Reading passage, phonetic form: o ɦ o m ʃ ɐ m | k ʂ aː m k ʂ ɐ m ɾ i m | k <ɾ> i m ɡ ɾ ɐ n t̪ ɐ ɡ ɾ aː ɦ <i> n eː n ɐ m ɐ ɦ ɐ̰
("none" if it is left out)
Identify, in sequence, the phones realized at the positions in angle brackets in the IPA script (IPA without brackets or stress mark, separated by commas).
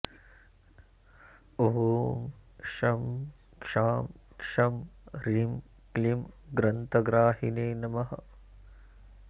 l, i